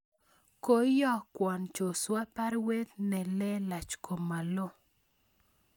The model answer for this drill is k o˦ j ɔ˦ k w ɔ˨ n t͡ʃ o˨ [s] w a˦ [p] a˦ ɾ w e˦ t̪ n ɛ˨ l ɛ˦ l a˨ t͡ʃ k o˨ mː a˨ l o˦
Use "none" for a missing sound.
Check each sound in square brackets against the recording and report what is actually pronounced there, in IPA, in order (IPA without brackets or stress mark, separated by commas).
s, p